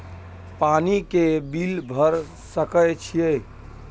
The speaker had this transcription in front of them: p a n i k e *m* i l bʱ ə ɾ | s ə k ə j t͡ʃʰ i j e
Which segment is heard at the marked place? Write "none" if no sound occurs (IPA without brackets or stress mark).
b